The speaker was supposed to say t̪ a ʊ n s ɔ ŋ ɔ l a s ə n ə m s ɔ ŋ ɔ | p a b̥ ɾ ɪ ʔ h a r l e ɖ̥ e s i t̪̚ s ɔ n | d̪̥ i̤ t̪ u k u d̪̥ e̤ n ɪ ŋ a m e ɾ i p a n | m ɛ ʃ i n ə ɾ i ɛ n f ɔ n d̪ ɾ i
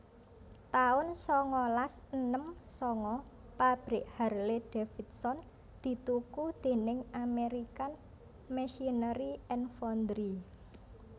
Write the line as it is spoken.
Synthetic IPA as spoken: t̪ a ʊ n s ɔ ŋ ɔ l a s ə n ə m s ɔ ŋ ɔ | p a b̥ ɾ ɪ ʔ h a r l e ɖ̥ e f i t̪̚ s ɔ n | d̪̥ i̤ t̪ u k u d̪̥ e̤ n ɪ ŋ a m e ɾ i k a n | m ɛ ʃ i n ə ɾ i ɛ n f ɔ n d̪ ɾ i